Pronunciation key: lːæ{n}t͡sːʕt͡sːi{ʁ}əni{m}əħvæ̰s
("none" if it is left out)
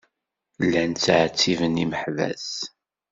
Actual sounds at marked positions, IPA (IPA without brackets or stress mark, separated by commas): n, v, m